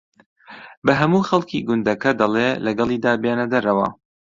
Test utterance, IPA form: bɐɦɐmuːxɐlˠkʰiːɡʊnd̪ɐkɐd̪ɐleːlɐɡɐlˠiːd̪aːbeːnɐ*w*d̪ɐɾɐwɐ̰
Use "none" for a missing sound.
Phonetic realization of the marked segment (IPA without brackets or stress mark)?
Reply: none